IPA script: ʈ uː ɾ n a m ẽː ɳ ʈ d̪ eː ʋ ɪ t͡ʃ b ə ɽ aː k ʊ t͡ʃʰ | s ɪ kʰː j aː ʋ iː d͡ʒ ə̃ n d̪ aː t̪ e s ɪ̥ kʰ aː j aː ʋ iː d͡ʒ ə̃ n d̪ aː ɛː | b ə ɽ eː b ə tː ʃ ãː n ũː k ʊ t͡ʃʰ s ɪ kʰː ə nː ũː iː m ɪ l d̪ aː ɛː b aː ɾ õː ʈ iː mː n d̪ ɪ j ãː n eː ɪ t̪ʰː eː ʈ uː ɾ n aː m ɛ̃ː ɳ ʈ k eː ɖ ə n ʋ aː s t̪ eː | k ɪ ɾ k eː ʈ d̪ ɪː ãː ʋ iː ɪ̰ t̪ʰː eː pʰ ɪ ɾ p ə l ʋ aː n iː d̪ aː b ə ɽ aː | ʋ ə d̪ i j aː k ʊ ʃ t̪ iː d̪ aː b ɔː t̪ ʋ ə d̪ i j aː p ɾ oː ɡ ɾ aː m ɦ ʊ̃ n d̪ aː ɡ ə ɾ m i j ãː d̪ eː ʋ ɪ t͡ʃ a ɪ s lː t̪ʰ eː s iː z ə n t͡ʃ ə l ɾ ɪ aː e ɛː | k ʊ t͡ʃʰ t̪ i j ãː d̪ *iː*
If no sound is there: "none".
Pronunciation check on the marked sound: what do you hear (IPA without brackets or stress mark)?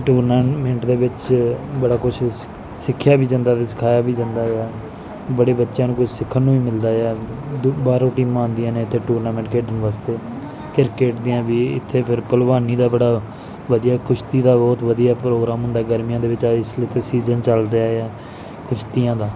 aː